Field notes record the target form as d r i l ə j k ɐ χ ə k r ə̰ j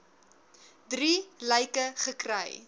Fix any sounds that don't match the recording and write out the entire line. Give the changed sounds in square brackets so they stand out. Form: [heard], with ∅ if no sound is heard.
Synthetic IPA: d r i l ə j k [ə] χ ə k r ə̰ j